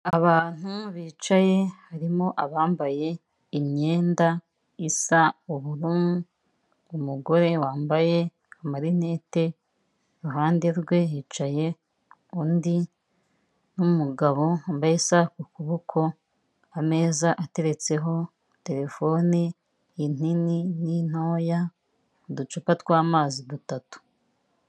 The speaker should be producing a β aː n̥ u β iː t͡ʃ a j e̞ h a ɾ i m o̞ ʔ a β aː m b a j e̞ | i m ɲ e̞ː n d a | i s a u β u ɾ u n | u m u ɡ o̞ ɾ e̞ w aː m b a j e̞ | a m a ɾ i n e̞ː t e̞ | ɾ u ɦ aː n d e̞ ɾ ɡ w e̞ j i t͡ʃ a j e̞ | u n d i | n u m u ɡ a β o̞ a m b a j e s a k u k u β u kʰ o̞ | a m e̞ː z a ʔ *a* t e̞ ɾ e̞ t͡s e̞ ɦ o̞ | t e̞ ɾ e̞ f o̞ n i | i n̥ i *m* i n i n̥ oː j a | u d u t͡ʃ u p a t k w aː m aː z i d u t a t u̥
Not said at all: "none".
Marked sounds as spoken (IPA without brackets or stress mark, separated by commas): a, n